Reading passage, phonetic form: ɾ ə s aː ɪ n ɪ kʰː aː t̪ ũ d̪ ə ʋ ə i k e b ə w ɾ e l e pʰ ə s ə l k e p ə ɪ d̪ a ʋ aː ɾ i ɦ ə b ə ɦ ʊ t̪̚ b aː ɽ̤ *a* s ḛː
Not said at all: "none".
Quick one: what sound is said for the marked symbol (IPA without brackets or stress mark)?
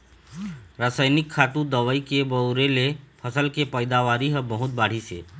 i